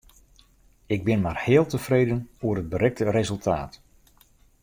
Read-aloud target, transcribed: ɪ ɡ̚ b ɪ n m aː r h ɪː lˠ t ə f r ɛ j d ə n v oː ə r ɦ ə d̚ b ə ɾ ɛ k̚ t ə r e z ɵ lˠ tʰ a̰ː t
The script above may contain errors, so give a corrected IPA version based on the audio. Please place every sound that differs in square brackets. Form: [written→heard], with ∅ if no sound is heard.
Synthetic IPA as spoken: ɪ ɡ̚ b ɪ n m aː r h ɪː lˠ t ə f r [ɛ→e] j d ə n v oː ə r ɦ ə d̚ b ə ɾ ɛ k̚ t ə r e z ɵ lˠ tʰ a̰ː t